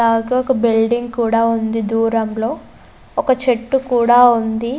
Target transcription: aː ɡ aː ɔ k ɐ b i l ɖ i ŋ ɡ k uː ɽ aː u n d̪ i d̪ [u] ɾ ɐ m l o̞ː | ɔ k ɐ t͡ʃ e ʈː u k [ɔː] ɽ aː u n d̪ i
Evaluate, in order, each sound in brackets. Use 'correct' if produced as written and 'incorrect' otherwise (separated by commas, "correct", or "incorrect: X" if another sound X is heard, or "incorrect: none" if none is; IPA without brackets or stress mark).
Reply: incorrect: uː, incorrect: uː